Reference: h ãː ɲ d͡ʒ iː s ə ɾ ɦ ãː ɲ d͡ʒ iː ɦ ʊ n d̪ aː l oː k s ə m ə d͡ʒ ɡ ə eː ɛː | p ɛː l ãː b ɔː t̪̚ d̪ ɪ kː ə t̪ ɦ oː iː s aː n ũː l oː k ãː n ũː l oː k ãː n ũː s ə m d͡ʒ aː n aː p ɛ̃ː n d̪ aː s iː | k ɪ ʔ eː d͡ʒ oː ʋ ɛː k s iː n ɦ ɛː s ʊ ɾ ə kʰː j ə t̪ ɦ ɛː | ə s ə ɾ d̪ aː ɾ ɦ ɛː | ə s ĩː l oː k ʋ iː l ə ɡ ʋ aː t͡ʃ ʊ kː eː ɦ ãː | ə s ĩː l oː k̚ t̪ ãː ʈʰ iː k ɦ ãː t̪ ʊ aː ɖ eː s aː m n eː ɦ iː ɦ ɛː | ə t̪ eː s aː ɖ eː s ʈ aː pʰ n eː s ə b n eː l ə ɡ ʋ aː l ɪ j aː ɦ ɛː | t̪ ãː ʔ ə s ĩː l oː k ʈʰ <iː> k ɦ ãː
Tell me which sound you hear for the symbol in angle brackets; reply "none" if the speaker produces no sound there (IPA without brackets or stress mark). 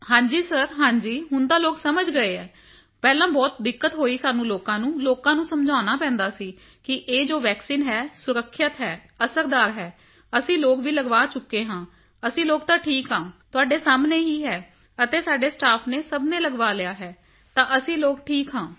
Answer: iː